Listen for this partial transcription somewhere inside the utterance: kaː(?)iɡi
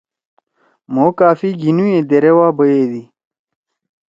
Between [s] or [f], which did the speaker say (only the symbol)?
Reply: f